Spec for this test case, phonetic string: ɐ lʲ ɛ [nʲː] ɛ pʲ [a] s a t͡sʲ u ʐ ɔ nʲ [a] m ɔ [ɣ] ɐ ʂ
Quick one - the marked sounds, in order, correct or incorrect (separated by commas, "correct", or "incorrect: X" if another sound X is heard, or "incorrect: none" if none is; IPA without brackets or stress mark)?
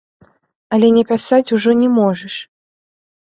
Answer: incorrect: nʲ, correct, incorrect: ɛ, incorrect: ʐ